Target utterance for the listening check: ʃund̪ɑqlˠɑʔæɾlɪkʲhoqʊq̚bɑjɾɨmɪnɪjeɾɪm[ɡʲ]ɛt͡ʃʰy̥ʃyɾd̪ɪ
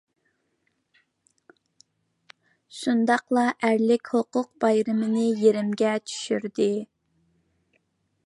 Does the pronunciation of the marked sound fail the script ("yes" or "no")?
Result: no